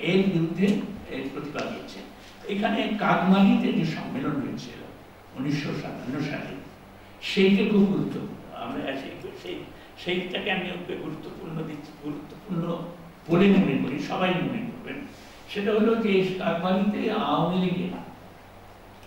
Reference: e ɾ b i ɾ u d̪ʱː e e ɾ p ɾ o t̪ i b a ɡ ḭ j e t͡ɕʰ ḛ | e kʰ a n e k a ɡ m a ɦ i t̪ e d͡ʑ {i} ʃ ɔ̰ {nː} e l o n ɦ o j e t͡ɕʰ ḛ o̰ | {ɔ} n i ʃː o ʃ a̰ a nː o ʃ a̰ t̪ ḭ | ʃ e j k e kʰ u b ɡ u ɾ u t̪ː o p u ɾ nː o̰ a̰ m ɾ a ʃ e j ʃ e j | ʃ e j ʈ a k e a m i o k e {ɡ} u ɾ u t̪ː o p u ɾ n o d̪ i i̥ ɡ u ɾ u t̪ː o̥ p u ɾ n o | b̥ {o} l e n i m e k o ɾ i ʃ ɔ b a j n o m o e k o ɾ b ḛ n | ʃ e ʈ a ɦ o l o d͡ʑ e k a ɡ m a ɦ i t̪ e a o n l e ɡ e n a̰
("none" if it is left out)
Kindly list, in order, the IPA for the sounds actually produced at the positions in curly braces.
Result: e, mː, o, ɡ, o

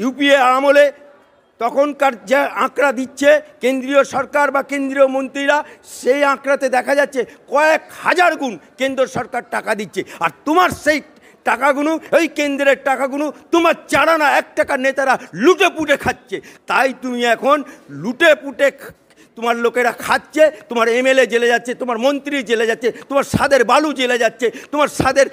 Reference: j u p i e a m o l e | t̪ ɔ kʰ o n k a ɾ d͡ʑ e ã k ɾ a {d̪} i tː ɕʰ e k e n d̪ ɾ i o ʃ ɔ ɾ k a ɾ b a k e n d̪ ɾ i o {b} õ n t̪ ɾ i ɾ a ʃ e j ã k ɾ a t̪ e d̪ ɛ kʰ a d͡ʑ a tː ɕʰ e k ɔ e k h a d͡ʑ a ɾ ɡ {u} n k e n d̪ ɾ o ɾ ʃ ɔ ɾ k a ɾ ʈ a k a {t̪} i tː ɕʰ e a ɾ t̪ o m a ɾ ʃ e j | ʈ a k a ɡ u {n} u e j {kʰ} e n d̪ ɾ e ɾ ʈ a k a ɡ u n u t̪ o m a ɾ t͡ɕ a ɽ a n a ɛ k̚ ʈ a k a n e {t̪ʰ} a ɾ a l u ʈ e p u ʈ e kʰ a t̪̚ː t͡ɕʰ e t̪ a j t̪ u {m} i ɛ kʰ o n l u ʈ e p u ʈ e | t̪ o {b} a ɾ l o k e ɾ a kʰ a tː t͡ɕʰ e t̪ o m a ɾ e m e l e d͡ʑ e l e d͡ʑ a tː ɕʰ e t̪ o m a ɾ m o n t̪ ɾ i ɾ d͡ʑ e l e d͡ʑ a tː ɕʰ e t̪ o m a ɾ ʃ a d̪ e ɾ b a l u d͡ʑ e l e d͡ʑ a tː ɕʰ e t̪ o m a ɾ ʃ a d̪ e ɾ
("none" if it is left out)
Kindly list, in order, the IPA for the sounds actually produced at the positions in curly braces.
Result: d̪, m, u, d̪, n, k, t̪, m, m

